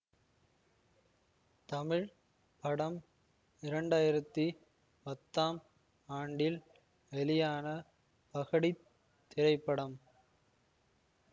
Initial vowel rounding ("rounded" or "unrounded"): unrounded